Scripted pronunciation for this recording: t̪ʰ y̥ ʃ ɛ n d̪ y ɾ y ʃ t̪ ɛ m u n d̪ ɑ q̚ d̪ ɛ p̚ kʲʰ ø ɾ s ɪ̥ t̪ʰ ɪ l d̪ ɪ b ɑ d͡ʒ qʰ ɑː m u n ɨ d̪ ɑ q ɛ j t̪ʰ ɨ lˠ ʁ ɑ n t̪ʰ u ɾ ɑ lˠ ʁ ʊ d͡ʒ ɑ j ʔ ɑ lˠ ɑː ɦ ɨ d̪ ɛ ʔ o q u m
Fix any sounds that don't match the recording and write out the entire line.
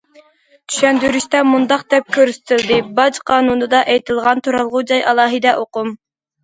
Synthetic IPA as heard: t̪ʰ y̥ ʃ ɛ n d̪ y ɾ y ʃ t̪ ɛ m u n d̪ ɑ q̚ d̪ ɛ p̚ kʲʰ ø ɾ s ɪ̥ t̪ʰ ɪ l d̪ ɪ b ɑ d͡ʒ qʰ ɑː n u n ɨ d̪ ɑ ʔ ɛ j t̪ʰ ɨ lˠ ʁ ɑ n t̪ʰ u ɾ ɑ lˠ ʁ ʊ d͡ʒ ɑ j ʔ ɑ lˠ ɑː ɦ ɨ d̪ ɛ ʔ o q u m